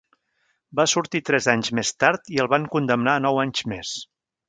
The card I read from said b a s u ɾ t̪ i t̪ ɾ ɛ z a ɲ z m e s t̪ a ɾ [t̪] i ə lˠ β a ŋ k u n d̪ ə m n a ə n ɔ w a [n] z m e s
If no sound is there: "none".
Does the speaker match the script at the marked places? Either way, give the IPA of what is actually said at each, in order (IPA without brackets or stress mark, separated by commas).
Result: t̪, ɲ